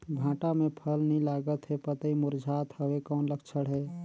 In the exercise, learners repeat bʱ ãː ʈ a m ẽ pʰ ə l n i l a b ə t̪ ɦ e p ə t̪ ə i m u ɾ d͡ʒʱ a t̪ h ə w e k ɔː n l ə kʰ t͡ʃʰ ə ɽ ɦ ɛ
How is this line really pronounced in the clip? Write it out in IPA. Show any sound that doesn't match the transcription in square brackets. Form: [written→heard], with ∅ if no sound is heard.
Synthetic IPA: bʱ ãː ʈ a m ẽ pʰ ə l n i l a [b→ɡ] ə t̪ ɦ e p ə t̪ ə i m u ɾ d͡ʒʱ a t̪ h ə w e k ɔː n l ə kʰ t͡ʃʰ ə ɽ ɦ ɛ